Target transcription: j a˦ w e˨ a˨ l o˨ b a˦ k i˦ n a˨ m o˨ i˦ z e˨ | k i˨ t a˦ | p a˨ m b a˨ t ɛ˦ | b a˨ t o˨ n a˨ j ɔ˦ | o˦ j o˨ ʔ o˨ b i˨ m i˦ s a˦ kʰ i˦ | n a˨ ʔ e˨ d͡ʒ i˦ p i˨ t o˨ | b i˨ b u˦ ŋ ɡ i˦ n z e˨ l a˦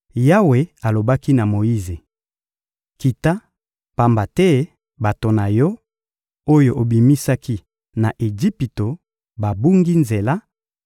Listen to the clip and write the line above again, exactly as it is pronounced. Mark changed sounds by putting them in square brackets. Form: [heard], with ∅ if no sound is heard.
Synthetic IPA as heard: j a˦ w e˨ a˨ l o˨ b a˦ k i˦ n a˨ m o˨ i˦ z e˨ | k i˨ t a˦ | p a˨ m b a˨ t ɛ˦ | b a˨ t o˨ n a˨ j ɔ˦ | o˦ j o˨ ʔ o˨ b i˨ m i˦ s a˦ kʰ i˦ | n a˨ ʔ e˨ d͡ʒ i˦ p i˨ t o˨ | b [a˨] b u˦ ŋ ɡ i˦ n z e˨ l a˦